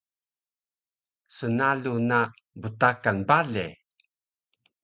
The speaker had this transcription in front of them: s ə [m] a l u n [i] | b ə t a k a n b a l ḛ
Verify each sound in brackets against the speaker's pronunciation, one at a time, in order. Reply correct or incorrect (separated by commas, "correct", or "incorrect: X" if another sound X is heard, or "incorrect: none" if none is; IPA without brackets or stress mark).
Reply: incorrect: n, incorrect: a